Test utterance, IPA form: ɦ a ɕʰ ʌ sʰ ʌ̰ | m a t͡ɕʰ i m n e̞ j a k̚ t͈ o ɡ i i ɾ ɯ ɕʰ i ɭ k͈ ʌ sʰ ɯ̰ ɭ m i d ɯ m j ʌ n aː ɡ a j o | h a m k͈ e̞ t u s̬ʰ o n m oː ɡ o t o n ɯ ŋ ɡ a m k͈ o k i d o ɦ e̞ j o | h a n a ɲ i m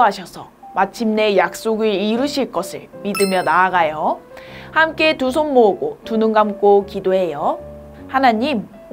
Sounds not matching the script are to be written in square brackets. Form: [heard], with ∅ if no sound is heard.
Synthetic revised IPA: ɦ a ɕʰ ʌ sʰ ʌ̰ | m a t͡ɕʰ i m n e̞ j a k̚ [s͈] o ɡ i i ɾ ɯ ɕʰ i ɭ k͈ ʌ sʰ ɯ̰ ɭ m i d ɯ m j ʌ n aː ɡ a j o | h a m k͈ e̞ t u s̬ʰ o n m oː ɡ o t [u] n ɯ ŋ ɡ a m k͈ o k i d o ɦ e̞ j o | h a n a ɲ i m